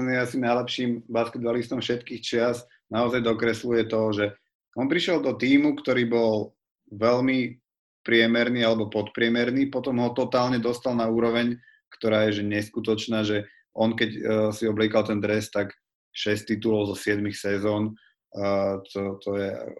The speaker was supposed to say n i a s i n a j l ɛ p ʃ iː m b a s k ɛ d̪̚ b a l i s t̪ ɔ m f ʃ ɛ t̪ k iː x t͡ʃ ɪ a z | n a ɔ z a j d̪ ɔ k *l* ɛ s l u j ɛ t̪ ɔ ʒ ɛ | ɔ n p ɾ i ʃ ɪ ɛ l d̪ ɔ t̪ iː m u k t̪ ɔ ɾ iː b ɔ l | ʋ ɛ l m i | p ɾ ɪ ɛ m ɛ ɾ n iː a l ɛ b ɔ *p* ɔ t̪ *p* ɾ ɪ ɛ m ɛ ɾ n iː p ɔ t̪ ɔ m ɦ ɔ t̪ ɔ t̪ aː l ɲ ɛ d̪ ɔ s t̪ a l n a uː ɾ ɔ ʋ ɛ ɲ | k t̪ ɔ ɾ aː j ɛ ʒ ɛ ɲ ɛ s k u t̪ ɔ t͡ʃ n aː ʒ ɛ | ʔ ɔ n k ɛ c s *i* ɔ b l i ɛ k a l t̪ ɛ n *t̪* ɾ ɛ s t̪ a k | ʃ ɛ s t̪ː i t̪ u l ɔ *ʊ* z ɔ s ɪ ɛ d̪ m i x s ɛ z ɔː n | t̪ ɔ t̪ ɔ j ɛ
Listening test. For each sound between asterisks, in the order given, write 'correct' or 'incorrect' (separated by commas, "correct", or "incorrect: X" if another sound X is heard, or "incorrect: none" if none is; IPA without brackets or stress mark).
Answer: incorrect: ɾ, correct, correct, correct, incorrect: d̪, correct